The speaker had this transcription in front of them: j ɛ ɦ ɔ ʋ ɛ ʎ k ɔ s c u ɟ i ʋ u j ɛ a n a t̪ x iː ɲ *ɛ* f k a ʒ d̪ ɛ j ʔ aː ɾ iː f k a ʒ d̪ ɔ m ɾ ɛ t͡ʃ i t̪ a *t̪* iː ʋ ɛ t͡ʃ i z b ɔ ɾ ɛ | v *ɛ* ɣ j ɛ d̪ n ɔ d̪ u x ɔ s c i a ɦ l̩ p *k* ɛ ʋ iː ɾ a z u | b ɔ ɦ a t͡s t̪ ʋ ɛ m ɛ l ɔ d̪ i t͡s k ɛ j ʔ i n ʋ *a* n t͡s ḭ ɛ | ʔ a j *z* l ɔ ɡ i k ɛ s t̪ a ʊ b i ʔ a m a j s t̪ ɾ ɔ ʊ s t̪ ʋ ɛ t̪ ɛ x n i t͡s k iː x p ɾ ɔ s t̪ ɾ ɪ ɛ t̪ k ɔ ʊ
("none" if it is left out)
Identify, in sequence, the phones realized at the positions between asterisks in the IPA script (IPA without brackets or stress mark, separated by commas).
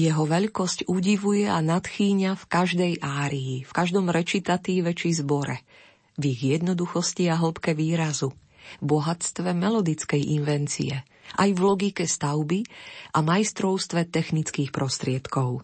a, t̪, i, k, ɛ, v